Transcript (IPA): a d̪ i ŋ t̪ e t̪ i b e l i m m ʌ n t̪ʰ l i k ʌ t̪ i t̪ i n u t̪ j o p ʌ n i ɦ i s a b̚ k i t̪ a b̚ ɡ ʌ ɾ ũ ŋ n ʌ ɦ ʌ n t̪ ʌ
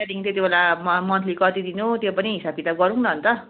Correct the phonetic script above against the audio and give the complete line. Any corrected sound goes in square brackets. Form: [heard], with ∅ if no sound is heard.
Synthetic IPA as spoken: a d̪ i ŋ t̪ e t̪ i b e l [a] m m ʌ n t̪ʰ l i k ʌ t̪ i [d̪] i n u t̪ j o p ʌ n i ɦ i s a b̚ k i t̪ a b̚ ɡ ʌ ɾ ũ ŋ n ʌ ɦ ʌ n t̪ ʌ

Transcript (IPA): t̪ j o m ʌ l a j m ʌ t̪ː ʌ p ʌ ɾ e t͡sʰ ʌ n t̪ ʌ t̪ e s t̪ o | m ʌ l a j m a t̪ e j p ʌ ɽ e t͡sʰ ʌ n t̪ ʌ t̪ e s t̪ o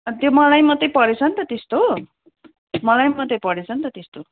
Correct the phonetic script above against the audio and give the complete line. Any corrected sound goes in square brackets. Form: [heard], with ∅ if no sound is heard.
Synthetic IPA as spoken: t̪ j o m ʌ l a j m ʌ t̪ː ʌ p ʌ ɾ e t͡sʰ ʌ n t̪ ʌ t̪ e s t̪ o | m ʌ l a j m [ʌ] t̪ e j p ʌ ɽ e t͡sʰ ʌ n t̪ ʌ t̪ e s t̪ o

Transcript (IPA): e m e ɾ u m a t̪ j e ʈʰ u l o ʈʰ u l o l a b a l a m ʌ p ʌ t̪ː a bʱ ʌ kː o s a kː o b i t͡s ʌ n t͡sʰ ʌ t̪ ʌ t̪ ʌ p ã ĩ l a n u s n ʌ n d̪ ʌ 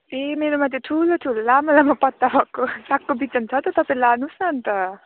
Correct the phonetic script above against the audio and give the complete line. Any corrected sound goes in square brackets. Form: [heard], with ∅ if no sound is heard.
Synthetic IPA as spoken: e m e ɾ [o] m a t̪ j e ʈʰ u l o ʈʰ u l o l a [m] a l a m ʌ p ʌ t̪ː a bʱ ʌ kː o s a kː o b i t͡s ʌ n t͡sʰ ʌ t̪ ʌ t̪ ʌ p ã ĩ l a n u s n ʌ n [t̪] ʌ

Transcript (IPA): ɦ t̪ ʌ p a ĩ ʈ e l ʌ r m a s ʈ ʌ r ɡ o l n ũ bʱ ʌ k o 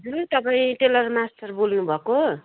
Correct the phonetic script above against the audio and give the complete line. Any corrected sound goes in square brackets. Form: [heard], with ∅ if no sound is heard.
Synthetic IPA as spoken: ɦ t̪ ʌ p a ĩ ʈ e l ʌ r m a s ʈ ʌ r [b] o l n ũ bʱ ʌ k o

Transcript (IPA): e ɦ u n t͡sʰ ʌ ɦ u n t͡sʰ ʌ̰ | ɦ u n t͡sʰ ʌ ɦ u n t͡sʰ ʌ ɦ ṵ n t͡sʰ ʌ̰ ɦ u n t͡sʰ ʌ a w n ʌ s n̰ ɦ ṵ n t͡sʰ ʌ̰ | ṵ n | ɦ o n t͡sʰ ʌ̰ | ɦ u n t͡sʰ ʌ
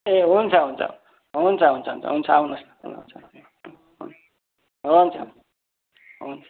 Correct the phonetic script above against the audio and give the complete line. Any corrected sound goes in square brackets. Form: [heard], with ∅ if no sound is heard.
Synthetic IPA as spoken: e ɦ u n t͡sʰ ʌ ɦ u n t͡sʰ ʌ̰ | ɦ u n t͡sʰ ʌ ɦ u n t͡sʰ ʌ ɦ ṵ n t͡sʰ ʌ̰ ɦ u n t͡sʰ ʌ a w n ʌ s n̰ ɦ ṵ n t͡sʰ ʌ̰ | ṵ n | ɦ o n t͡sʰ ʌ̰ | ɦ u n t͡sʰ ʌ

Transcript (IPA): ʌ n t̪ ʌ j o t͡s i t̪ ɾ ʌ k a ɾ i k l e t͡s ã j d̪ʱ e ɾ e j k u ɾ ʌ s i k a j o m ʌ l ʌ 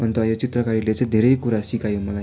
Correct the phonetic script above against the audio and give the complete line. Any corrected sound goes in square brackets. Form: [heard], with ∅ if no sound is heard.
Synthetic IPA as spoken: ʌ n t̪ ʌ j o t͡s i t̪ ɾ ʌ k a ɾ i [∅] l e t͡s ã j d̪ʱ e ɾ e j k u ɾ [a] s i k a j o m ʌ l [a]

